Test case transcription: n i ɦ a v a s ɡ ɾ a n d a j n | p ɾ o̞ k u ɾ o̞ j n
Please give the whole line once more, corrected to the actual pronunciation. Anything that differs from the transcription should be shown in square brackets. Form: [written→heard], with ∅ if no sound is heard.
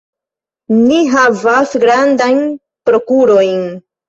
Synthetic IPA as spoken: n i ɦ a v a s ɡ ɾ a n d a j n | p ɾ o̞ k u ɾ o̞ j n

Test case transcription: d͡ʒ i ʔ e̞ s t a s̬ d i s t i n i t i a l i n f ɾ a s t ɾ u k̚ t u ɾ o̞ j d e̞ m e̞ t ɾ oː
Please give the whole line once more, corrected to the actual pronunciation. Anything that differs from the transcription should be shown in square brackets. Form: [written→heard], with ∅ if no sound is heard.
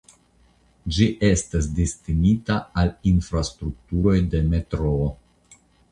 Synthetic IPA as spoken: d͡ʒ i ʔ e̞ s t a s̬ d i s t i n i t [i→a] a l i n f ɾ a s t ɾ u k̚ t u ɾ o̞ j d e̞ m e̞ t ɾ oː

